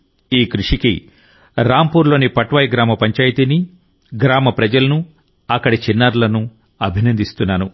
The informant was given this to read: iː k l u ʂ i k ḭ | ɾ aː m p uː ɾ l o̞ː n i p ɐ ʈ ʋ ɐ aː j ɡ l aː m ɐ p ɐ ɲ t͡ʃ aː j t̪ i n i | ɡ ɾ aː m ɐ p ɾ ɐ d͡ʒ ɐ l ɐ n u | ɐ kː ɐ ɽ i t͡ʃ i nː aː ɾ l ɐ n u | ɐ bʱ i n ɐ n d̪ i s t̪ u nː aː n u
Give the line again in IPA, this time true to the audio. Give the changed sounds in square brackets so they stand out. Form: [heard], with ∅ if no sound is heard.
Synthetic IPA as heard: iː k [ɾ] u ʂ i k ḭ | ɾ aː m p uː ɾ l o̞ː n i p ɐ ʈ ʋ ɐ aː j ɡ [ɾ] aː m ɐ p ɐ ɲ t͡ʃ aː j t̪ i n i | ɡ ɾ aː m ɐ p ɾ ɐ d͡ʒ ɐ l ɐ n u | ɐ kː ɐ ɽ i t͡ʃ i nː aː ɾ l ɐ n u | ɐ bʱ i n ɐ n d̪ i s t̪ u nː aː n u